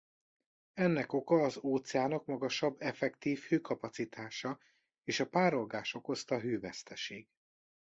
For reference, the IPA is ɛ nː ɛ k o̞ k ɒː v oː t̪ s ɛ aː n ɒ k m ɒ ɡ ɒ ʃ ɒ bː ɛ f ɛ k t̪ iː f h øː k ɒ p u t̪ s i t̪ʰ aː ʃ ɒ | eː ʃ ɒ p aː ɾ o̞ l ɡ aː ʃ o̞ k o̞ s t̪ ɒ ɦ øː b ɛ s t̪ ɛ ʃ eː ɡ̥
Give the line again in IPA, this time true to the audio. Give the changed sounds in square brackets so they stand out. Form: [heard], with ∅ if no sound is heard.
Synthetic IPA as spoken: ɛ nː ɛ k o̞ k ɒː [z] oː t̪ s ɛ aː n ɒ k m ɒ ɡ ɒ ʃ ɒ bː ɛ f ɛ k t̪ iː f h øː k ɒ p [ɒ] t̪ s i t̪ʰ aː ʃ ɒ | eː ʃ ɒ p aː ɾ o̞ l ɡ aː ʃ o̞ k o̞ s t̪ ɒ ɦ øː [v] ɛ s t̪ ɛ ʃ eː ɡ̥